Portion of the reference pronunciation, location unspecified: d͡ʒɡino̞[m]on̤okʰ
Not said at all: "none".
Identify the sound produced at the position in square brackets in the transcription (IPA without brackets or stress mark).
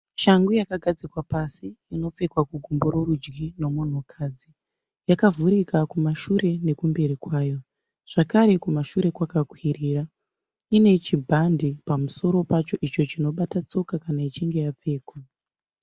m